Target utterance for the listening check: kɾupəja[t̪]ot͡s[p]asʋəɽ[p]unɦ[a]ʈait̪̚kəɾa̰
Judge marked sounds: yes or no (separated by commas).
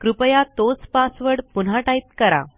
yes, yes, yes, yes